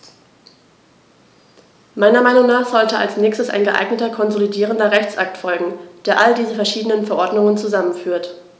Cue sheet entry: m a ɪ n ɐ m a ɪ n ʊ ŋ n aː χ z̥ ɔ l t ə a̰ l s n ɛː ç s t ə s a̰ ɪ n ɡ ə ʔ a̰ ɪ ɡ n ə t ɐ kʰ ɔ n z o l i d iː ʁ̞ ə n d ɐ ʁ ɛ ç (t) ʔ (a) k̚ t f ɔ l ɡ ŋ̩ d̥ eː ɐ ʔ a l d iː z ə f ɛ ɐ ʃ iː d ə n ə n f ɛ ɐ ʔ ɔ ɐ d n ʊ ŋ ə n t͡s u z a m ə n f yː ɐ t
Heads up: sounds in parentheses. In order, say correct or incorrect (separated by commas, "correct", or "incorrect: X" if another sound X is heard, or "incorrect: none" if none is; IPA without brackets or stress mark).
incorrect: t͡s, correct